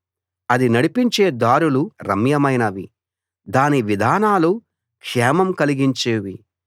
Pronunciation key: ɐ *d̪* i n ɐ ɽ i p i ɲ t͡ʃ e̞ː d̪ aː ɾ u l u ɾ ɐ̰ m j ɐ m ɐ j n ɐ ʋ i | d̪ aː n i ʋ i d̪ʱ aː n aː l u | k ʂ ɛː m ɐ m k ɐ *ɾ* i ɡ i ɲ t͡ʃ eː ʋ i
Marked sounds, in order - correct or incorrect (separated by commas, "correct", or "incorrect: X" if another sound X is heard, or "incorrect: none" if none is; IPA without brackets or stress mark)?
correct, incorrect: l